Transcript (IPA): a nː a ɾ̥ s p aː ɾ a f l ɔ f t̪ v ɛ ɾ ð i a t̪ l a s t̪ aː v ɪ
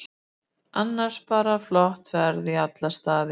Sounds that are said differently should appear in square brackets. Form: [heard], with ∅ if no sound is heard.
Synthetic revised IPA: a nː a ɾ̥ s p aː ɾ a f l ɔ [h] t̪ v ɛ ɾ ð i a t̪ l a s t̪ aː [ð] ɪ